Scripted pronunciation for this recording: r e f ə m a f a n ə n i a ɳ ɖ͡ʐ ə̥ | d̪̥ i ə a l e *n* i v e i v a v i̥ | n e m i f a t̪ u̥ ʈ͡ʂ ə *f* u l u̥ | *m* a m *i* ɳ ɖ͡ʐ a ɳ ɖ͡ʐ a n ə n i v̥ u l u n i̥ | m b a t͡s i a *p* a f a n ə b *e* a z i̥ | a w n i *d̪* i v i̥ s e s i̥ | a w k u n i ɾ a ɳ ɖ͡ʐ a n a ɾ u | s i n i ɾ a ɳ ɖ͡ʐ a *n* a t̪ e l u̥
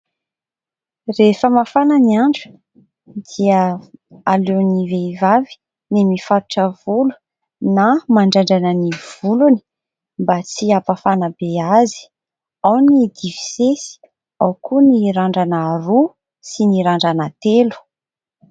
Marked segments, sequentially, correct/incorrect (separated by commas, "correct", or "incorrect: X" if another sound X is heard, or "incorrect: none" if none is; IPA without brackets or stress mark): correct, incorrect: v, incorrect: n, incorrect: a, correct, correct, correct, correct